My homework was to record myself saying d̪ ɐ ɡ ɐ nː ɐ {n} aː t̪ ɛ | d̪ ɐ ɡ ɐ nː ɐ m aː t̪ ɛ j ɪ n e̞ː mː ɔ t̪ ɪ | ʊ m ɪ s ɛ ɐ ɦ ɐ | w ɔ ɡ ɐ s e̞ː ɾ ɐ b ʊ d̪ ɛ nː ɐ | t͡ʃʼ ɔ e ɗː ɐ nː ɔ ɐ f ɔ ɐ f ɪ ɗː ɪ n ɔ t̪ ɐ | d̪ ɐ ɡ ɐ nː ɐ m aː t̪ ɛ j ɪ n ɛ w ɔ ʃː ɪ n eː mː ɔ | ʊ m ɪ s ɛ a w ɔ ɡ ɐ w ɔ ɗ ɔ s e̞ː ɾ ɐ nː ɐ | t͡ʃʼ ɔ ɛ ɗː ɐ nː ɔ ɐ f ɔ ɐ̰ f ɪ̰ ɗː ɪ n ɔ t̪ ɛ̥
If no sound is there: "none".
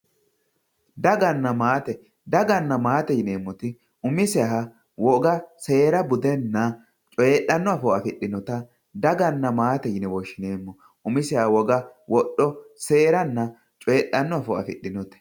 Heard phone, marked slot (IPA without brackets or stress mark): m